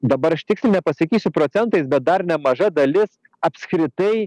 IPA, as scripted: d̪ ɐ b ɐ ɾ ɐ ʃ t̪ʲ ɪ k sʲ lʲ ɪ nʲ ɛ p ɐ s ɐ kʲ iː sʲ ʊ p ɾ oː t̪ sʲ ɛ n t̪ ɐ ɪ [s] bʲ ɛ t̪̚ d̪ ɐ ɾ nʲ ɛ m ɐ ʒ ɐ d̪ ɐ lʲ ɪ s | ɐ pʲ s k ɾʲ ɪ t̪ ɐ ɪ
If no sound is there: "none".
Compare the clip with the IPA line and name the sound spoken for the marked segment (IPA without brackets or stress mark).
s